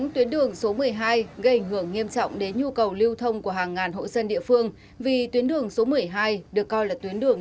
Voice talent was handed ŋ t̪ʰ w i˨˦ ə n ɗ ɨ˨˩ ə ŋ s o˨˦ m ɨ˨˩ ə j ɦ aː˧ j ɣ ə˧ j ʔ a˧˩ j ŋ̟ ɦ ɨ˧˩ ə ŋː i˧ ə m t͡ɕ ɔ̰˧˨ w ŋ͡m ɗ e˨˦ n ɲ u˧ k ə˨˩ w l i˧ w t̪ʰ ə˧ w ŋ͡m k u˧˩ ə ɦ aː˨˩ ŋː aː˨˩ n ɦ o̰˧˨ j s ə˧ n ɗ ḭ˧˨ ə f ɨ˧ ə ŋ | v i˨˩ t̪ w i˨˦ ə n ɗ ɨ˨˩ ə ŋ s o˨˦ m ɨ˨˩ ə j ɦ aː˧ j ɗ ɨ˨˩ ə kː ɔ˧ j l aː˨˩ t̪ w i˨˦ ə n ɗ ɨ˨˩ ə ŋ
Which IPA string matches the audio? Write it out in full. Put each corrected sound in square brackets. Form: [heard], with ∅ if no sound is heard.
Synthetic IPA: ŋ [t̪] w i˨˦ ə n ɗ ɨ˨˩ ə ŋ s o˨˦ m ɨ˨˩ ə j ɦ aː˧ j ɣ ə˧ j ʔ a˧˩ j ŋ̟ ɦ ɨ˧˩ ə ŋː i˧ ə m t͡ɕ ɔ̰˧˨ w ŋ͡m ɗ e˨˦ n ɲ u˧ k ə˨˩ w l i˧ w t̪ʰ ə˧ w ŋ͡m k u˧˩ ə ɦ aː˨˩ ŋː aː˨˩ n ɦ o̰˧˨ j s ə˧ n ɗ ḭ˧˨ ə f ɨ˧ ə ŋ | v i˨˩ t̪ w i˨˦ ə n ɗ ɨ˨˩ ə ŋ s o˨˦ m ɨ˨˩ ə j ɦ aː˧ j ɗ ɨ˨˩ ə kː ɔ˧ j l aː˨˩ t̪ w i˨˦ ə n ɗ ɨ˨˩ ə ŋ